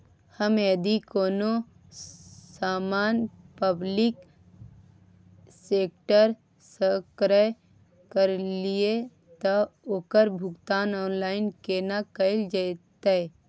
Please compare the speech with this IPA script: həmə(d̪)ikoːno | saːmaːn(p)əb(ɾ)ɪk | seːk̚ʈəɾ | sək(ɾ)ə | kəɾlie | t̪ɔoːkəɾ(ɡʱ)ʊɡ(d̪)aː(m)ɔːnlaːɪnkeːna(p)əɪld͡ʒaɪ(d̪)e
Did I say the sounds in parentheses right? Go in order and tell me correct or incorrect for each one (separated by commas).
correct, correct, incorrect, correct, incorrect, incorrect, incorrect, incorrect, incorrect